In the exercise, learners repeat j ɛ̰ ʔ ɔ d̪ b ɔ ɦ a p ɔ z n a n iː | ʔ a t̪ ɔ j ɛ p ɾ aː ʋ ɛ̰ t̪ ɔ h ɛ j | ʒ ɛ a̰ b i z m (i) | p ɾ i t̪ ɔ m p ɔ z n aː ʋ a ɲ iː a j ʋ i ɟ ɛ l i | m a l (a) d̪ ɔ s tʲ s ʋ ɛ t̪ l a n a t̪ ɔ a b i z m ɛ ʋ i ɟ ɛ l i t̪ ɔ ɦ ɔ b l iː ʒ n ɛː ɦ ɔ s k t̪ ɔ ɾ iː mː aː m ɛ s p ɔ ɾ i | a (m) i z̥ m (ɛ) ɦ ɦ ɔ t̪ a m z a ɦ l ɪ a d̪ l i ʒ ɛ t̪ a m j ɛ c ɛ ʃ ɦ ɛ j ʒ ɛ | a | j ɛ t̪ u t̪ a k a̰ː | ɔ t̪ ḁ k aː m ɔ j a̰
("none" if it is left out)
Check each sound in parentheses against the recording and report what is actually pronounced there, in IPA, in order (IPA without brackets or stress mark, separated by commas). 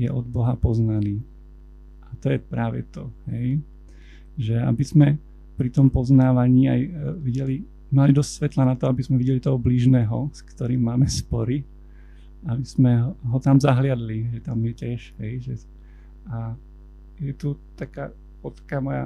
ɛ, i, b, ɛ